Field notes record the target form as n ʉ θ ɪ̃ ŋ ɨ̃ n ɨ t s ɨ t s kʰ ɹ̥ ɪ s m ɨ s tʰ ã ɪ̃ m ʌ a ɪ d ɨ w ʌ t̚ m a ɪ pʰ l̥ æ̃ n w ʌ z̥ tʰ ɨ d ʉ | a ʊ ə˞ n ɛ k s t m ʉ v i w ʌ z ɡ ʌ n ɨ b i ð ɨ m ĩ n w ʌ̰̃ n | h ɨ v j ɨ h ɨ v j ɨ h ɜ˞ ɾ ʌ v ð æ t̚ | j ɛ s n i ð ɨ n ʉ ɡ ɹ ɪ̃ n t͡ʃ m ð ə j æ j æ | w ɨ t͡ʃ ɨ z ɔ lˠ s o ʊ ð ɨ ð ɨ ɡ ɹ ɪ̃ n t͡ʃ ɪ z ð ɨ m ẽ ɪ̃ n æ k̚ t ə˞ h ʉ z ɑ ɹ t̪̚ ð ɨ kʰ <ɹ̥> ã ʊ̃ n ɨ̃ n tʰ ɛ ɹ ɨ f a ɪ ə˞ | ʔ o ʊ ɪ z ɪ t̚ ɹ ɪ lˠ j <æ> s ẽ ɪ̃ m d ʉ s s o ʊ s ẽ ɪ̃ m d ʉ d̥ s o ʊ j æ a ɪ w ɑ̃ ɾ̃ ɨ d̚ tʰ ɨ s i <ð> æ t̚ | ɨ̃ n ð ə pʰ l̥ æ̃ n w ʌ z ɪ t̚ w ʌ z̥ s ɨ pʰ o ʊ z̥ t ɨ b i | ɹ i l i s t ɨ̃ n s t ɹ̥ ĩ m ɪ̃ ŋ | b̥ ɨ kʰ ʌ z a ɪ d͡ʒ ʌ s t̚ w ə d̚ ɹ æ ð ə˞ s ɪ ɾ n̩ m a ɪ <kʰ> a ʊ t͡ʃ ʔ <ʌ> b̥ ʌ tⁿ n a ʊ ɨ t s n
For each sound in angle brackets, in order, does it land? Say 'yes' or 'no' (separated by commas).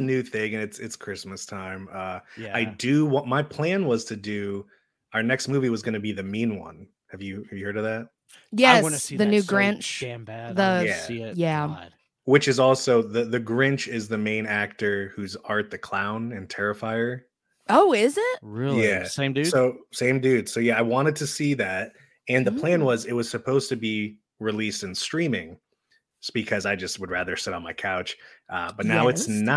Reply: no, yes, yes, yes, yes